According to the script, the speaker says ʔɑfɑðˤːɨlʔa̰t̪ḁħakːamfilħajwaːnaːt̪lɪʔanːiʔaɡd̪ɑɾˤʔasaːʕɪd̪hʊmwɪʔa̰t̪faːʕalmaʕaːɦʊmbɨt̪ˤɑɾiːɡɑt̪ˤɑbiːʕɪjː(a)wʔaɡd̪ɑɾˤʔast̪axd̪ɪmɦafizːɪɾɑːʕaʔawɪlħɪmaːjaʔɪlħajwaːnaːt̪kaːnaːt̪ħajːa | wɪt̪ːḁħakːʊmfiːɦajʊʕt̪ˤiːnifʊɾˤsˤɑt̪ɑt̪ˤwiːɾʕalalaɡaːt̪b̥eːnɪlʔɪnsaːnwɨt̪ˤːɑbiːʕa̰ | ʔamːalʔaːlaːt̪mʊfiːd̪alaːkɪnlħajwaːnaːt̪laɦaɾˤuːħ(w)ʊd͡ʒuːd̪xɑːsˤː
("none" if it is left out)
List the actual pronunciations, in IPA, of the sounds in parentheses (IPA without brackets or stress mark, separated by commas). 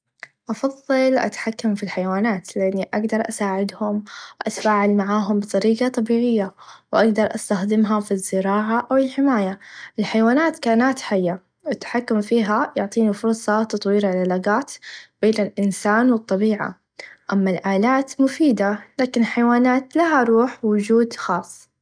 a, w